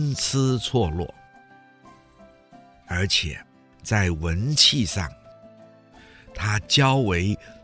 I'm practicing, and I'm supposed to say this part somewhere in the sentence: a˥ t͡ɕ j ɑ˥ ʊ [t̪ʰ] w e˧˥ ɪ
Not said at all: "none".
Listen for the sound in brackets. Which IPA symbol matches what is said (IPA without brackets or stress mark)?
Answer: none